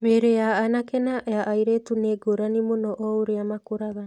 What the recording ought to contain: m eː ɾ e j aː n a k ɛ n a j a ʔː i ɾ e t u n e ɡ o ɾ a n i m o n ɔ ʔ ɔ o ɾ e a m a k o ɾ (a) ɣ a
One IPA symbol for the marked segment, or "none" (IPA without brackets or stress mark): a